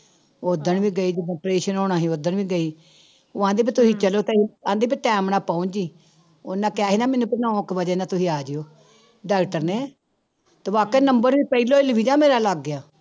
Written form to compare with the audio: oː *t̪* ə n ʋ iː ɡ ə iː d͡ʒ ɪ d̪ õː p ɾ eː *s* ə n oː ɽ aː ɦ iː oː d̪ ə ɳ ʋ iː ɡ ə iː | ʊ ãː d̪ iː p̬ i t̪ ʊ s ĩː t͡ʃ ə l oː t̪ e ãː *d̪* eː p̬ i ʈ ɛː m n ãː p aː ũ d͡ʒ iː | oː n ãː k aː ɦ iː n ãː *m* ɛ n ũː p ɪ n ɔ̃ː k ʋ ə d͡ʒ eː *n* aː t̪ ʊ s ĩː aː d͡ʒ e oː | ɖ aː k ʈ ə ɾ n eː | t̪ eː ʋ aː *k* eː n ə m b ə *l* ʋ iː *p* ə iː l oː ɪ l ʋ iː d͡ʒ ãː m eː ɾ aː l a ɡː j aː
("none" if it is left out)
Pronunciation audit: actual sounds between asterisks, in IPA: d̪, ʃ, d̪, m, n, k, ɾ, p

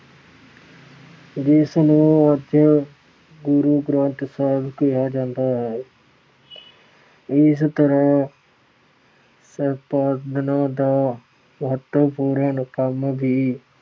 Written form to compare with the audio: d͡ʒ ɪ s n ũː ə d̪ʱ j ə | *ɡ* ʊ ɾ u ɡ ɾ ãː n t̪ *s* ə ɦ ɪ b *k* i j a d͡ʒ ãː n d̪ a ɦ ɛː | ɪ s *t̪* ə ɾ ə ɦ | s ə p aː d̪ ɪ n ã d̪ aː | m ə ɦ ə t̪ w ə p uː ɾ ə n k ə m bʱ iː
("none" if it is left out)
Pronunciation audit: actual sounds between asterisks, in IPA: ɡ, s, k, t̪

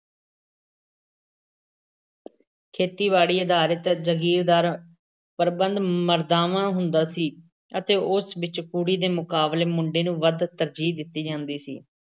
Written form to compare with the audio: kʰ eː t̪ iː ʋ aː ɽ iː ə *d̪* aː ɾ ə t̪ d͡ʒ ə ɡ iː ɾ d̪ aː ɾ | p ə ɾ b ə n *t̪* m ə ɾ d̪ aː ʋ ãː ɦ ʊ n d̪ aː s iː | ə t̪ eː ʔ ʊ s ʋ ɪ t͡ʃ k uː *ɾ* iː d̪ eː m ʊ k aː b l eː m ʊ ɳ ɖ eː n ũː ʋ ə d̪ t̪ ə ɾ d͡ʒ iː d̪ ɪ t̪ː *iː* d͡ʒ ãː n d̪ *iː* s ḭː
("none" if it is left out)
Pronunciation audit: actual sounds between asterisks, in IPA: d̪, d̪, ɽ, iː, iː

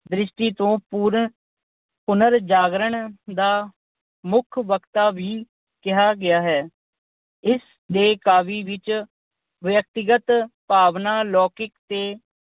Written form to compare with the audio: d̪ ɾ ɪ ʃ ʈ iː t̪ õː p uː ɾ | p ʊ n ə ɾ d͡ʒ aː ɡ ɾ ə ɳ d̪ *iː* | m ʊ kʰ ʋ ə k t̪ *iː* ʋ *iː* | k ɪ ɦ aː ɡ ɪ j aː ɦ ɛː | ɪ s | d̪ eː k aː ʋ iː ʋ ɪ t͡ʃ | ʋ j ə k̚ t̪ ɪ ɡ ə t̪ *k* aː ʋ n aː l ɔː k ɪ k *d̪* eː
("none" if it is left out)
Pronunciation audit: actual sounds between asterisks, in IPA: aː, aː, iː, p, t̪

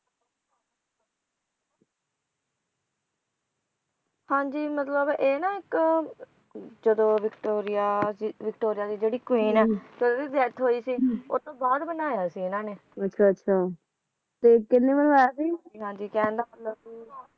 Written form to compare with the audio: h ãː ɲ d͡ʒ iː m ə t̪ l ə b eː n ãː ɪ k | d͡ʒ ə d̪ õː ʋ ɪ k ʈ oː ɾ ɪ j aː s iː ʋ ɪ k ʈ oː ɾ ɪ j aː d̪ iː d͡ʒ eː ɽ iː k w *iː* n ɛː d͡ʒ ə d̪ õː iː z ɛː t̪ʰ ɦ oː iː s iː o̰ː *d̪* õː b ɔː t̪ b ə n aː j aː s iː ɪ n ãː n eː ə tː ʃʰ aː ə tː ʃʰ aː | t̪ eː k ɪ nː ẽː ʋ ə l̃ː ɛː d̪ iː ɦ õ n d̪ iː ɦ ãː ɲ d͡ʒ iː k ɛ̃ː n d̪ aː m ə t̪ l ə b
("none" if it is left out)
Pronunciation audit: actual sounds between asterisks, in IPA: iː, t̪

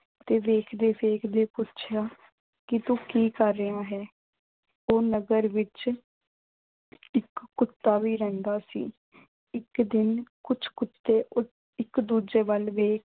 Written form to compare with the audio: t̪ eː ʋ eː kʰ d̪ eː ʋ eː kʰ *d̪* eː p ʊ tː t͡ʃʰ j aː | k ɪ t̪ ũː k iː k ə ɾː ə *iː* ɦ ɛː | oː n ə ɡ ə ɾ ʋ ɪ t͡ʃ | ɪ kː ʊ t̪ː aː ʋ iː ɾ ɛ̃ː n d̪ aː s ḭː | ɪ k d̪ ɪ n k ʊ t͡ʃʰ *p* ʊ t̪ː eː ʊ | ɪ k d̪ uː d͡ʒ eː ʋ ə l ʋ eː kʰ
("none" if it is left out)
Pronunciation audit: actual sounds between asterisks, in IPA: d̪, aː, k

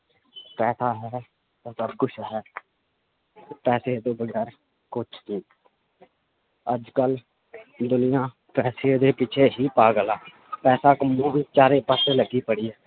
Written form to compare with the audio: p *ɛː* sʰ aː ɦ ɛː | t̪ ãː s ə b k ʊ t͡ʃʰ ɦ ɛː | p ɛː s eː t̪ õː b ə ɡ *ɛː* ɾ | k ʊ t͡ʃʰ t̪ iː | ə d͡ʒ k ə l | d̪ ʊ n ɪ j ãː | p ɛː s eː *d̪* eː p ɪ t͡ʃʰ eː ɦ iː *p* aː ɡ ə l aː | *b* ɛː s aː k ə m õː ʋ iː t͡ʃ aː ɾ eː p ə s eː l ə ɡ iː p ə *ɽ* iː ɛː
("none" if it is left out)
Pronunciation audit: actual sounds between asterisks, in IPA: ɛː, ɛː, d̪, p, p, ɽ

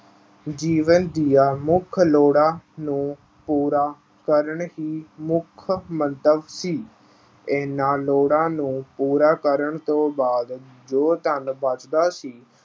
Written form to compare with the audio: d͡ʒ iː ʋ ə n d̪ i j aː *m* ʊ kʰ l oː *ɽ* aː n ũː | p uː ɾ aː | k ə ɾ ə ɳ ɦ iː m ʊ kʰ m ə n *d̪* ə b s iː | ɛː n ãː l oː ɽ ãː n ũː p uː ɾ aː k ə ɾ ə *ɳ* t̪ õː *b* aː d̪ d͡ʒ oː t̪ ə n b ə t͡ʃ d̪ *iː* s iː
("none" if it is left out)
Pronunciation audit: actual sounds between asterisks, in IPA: m, ɽ, t̪, ɳ, b, aː

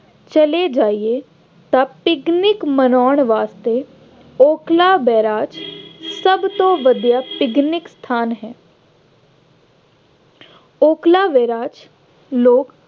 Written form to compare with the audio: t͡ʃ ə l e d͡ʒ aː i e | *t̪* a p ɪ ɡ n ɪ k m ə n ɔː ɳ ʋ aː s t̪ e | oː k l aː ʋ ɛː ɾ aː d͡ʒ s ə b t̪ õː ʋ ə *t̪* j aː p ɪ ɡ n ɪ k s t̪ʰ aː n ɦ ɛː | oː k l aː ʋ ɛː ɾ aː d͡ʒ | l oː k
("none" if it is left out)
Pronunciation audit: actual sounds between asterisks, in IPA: t̪, d̪

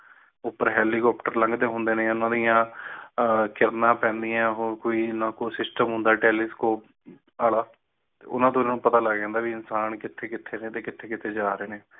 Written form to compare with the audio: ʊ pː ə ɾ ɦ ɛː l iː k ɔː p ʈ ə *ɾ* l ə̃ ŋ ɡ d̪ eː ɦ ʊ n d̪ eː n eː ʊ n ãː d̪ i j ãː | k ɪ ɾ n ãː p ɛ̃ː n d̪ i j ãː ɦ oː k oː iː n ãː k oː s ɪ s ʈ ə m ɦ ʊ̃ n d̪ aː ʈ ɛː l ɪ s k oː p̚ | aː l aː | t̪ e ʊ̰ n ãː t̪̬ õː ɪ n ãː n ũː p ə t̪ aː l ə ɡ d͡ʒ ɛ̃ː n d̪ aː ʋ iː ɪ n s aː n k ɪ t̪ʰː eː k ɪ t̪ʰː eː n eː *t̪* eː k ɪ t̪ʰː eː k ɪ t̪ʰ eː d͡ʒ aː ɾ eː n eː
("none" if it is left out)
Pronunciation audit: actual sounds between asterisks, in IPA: ɾ, t̪

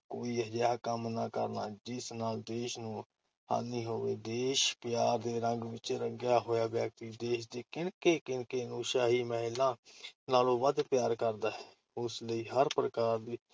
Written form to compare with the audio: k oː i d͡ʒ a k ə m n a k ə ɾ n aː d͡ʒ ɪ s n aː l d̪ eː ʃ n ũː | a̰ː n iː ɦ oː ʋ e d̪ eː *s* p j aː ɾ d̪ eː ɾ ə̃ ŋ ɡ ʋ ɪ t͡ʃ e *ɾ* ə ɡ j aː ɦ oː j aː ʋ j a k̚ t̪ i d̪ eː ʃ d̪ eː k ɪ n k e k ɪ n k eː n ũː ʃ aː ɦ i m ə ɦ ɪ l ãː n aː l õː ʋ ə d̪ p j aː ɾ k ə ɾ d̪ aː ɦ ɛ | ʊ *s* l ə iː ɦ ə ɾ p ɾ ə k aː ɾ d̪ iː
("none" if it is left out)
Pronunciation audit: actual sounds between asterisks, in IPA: ʃ, ɾ, s

